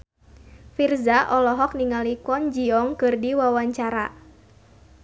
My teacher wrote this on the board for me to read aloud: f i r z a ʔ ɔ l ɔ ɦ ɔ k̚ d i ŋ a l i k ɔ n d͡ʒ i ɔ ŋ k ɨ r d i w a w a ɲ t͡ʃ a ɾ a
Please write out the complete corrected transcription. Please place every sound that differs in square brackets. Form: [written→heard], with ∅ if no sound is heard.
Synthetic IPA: f i r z a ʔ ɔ l ɔ ɦ ɔ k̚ [d→n] i ŋ a l i k ɔ n d͡ʒ i ɔ ŋ k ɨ r d i w a w a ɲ t͡ʃ a ɾ a